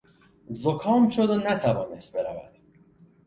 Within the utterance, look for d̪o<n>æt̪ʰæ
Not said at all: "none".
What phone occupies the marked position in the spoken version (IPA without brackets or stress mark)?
n